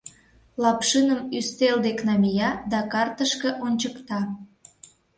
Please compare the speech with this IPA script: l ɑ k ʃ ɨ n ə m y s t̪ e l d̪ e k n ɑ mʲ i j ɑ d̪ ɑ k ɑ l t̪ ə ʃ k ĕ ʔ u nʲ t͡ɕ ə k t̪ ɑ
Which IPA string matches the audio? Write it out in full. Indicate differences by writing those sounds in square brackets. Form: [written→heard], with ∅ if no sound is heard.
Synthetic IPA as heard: l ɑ [k→p] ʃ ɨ n ə m y s t̪ e l d̪ e k n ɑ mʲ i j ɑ d̪ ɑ k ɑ [l→r] t̪ ə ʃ k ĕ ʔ [u→o] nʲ t͡ɕ ə k t̪ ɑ